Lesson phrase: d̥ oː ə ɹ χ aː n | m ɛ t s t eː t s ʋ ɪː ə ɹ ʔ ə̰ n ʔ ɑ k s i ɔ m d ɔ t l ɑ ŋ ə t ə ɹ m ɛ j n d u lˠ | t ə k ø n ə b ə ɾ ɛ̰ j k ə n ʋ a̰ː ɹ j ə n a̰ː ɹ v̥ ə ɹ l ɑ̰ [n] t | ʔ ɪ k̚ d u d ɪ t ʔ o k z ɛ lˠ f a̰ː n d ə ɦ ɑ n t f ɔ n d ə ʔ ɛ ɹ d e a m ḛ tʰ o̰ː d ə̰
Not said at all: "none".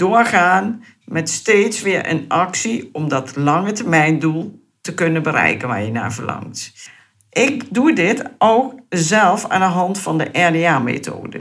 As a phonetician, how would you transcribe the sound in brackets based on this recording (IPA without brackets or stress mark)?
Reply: ŋ